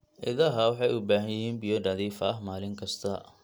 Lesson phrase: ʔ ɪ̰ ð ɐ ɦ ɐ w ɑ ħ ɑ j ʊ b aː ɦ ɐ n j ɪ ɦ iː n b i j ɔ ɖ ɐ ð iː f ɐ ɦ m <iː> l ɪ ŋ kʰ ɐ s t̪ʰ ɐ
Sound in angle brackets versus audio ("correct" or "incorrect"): incorrect